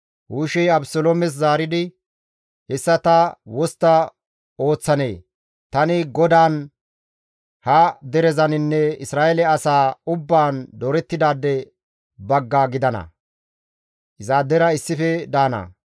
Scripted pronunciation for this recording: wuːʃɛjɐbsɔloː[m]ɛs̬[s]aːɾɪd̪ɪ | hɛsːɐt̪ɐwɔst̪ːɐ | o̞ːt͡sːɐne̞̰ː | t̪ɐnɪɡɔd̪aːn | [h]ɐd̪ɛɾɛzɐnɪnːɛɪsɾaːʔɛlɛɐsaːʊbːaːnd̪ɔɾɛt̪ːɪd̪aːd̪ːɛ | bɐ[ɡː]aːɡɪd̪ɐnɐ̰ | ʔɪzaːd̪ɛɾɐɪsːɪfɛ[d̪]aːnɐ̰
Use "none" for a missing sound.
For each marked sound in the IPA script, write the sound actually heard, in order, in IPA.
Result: m, z, h, ɡː, d̪

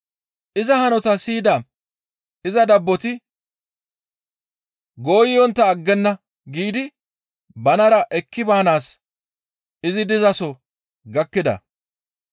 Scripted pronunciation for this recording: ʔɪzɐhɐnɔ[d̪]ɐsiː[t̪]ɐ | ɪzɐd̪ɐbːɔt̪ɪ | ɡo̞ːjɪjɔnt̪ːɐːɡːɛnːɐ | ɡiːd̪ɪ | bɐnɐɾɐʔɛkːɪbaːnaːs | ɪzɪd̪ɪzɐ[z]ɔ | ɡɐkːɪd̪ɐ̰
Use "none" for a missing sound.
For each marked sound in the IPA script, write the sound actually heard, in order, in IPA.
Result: t̪, d̪, s

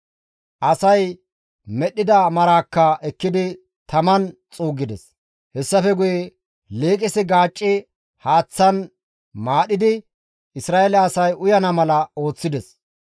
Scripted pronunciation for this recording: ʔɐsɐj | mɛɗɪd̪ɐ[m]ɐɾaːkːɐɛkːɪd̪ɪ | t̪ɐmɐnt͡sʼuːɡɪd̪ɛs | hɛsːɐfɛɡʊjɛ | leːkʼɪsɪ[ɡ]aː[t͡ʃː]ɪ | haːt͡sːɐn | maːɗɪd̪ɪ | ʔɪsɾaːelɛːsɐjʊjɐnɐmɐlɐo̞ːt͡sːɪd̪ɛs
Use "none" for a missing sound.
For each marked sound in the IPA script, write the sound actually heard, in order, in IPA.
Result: m, ɡ, t͡ʃʼː

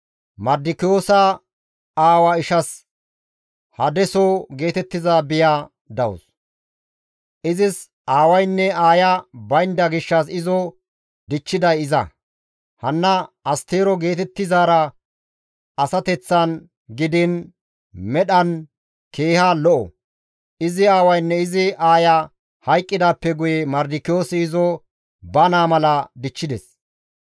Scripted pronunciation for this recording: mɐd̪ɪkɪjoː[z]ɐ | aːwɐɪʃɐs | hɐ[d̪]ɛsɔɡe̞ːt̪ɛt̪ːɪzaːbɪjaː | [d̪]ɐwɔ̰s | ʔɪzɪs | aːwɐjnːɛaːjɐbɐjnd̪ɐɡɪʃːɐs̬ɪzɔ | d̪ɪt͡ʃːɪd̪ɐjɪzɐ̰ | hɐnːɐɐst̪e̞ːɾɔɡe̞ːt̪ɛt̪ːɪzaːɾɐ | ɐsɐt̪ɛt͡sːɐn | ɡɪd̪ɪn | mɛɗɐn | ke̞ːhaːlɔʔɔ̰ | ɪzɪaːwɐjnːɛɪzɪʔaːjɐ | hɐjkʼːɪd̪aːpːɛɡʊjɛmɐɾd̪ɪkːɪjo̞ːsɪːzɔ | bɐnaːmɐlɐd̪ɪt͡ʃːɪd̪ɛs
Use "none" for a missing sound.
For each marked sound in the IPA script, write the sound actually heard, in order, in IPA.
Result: s, d̪, d̪

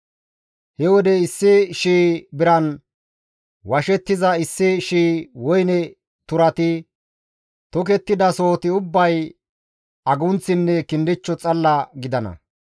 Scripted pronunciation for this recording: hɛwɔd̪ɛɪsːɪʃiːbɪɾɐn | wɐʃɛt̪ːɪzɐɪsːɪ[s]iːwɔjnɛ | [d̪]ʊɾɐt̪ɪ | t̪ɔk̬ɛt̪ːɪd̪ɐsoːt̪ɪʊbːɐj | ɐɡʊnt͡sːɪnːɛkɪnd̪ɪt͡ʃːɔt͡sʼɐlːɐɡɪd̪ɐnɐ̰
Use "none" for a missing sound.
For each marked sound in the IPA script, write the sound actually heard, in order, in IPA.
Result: ʃ, t̪

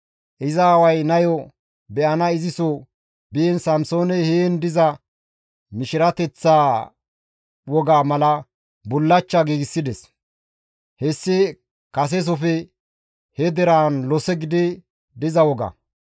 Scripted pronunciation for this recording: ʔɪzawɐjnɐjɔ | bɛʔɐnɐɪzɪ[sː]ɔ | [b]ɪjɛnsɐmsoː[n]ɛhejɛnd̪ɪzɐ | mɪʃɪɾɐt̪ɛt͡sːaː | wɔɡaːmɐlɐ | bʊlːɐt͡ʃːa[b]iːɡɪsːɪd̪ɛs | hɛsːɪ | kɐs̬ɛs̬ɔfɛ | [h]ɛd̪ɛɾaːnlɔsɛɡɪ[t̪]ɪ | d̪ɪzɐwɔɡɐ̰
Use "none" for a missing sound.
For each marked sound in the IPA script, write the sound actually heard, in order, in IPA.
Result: s, b, n, ɡ, h, d̪

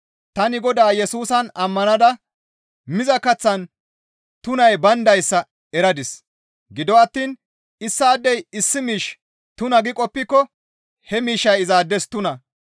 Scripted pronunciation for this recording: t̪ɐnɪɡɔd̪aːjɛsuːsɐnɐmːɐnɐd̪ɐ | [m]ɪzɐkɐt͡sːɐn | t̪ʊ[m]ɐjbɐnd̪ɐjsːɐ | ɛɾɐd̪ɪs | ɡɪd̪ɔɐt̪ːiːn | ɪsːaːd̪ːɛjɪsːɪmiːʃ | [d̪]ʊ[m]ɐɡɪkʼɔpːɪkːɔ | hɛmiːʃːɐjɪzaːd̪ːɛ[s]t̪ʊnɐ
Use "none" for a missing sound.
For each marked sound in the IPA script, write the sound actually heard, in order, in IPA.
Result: m, n, t̪, n, s

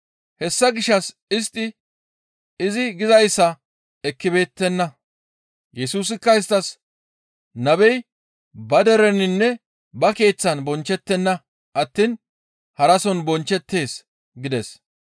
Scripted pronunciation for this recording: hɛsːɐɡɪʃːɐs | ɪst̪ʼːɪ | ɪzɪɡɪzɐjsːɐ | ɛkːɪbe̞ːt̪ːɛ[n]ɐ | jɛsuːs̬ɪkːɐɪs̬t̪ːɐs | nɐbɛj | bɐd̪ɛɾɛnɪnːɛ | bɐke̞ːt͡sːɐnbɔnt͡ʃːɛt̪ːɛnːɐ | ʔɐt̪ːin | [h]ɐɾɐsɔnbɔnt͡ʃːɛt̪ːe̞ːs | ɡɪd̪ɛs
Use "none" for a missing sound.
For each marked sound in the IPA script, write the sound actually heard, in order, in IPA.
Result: nː, h

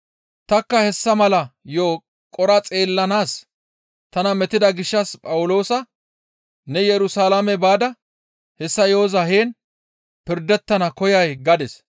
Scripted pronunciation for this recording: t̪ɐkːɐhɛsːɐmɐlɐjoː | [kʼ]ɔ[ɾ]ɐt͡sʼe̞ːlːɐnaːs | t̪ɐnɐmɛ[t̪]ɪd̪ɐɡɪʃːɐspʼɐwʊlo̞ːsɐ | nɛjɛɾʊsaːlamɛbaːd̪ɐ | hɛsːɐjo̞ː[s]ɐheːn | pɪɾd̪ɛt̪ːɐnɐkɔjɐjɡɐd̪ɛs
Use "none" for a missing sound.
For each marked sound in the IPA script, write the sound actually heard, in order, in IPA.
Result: kʼ, ɾ, t̪, z

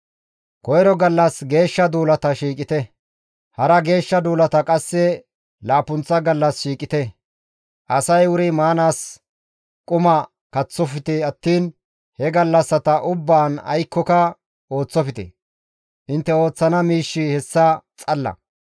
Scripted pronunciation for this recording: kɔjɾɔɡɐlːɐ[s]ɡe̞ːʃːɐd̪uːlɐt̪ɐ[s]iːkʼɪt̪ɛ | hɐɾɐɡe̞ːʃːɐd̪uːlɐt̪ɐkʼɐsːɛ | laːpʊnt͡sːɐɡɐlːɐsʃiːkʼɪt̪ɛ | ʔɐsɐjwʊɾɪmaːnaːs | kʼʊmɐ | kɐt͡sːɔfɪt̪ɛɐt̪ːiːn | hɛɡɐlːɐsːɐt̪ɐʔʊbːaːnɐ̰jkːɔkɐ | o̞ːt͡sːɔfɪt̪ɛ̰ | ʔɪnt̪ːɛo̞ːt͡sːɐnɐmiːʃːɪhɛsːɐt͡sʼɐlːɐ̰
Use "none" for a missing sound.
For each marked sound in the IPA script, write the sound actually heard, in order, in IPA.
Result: s, ʃ

